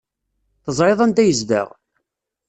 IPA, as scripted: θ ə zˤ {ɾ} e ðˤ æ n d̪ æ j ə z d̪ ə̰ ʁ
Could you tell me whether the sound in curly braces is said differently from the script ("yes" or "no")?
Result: no